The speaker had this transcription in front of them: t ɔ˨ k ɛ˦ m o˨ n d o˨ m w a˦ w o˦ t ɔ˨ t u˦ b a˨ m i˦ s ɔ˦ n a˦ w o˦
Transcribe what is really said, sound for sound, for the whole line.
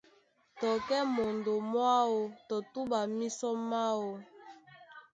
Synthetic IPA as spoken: t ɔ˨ k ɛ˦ m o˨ n d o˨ m w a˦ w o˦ t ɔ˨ t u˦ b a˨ m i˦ s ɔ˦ m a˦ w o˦